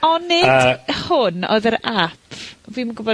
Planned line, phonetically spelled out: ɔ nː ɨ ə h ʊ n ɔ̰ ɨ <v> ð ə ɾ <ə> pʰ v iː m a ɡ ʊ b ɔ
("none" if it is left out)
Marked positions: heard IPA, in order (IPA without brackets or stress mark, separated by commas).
none, a